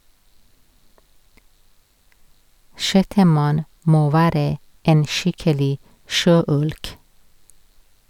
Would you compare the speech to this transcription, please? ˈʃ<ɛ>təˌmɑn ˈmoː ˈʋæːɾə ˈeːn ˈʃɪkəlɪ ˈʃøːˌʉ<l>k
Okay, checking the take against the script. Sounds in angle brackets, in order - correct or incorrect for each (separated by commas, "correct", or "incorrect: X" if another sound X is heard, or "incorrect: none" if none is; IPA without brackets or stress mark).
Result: correct, correct